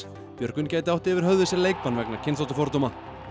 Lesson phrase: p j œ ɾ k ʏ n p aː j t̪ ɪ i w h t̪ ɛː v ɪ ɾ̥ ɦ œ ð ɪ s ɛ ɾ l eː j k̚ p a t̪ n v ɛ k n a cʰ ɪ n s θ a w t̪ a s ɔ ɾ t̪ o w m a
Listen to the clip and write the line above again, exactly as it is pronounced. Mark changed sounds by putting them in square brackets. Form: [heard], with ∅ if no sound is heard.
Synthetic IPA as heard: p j œ ɾ k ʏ n [c] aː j t̪ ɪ [a] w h t̪ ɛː v ɪ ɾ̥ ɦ œ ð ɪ s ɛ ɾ l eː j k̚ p a [∅] n v ɛ k n a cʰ ɪ n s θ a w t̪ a [f] ɔ ɾ t̪ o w m a